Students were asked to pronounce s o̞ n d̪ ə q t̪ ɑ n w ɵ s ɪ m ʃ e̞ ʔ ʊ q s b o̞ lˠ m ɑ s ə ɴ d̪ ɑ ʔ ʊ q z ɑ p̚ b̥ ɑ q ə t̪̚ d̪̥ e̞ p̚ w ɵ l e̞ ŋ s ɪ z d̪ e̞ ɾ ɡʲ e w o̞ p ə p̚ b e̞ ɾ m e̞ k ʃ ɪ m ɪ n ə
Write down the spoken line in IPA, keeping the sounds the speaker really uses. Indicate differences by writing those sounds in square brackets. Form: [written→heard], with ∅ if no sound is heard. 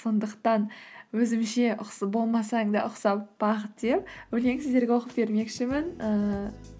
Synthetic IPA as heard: s o̞ n d̪ ə q t̪ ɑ n w ɵ [s→z] ɪ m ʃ e̞ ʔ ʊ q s b o̞ lˠ m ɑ s [ə→ɑ] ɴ d̪ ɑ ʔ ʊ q [z→s] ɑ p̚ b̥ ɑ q ə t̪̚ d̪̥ e̞ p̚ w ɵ l e̞ ŋ s ɪ z d̪ e̞ ɾ ɡʲ e w o̞ [p→q] ə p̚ b e̞ ɾ m e̞ k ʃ ɪ m ɪ n ə